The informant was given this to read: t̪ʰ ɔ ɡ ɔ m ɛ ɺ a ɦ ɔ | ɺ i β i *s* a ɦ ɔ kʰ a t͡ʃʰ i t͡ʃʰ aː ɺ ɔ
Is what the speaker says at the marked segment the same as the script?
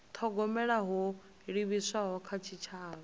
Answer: yes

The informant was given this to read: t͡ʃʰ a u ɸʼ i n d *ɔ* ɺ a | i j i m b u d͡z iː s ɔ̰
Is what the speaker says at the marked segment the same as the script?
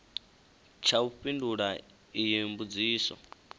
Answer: no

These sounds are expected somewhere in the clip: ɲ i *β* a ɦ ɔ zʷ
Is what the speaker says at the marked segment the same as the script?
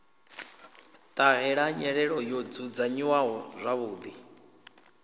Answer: no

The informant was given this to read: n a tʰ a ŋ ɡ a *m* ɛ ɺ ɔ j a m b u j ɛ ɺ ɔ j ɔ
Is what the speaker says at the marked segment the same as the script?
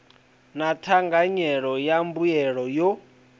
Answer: no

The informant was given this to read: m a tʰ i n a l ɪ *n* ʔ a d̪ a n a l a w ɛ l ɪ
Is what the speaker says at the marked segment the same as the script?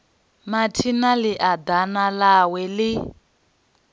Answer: no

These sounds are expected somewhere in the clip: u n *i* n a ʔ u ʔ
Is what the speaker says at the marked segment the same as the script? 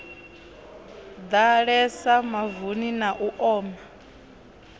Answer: yes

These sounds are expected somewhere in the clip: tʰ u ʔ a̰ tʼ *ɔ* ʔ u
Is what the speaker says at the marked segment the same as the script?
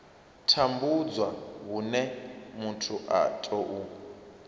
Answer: yes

